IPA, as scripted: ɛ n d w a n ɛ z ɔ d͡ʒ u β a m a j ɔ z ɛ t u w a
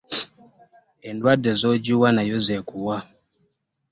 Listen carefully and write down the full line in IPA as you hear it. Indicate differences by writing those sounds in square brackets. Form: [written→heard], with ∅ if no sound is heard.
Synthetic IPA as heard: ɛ n d w a [n→d] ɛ z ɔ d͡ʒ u [β→w] a [m→n] a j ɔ z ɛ [t→k] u w a